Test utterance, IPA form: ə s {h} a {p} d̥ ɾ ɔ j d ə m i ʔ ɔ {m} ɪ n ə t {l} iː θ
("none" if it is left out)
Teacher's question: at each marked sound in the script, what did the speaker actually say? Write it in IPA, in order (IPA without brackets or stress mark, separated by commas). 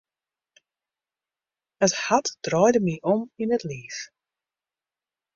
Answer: h, t, m, l